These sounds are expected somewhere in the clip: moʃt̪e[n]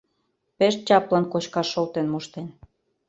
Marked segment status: correct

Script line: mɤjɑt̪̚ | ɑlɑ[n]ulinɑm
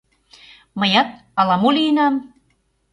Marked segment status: incorrect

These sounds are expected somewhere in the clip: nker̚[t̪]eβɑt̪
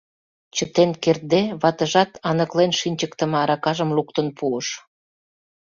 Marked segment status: incorrect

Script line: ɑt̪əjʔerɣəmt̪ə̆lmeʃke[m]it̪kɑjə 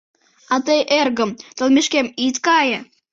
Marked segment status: correct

